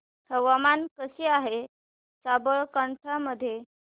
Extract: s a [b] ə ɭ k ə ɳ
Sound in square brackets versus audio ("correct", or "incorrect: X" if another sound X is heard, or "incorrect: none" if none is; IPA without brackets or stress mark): correct